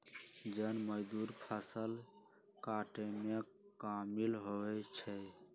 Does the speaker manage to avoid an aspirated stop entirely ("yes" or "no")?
no